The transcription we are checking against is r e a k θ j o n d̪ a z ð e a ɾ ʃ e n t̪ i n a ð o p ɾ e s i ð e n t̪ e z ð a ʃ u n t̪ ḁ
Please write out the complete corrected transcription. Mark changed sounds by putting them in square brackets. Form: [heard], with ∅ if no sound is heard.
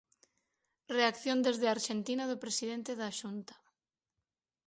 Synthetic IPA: r e a k θ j o n d̪ [e] z ð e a ɾ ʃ e n t̪ i n a ð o p ɾ e s i ð e n t̪ e [∅] ð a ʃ u n t̪ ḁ